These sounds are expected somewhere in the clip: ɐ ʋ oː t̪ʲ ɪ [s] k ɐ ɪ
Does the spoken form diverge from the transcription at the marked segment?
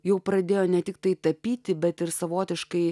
yes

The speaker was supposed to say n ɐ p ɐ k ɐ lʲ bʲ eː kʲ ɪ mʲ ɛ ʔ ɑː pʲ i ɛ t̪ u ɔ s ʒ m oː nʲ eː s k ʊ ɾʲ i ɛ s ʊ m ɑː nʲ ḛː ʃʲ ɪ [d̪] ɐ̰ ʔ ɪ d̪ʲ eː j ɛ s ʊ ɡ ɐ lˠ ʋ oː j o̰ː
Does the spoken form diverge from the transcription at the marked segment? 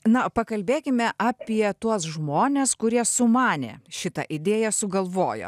yes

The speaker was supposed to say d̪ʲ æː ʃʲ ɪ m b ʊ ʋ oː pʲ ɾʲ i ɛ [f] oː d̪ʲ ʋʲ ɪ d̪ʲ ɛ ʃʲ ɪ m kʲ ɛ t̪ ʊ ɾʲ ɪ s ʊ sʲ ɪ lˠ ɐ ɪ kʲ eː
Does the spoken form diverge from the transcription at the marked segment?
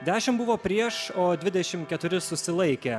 yes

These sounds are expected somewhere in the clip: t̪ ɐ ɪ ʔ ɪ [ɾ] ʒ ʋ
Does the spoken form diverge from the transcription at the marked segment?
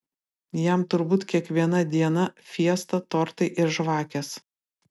no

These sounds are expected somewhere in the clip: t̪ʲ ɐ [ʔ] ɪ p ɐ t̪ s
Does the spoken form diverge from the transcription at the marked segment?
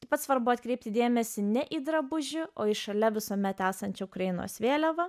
yes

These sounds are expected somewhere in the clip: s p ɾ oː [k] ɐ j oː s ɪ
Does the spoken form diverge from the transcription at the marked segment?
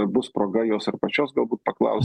yes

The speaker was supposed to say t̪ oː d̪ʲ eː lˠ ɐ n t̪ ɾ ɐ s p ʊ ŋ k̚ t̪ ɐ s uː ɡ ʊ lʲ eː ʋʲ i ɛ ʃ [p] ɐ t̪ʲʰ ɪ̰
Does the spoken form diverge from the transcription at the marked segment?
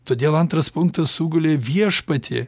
no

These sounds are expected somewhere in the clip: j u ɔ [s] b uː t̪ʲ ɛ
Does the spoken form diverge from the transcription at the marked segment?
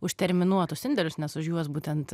no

